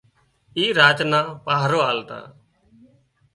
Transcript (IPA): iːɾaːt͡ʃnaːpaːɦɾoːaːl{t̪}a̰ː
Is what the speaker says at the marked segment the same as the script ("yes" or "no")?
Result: yes